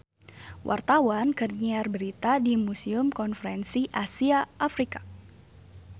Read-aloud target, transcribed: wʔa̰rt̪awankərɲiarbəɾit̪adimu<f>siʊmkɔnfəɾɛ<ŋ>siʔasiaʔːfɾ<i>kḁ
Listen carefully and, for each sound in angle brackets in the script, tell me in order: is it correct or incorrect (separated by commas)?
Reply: incorrect, incorrect, correct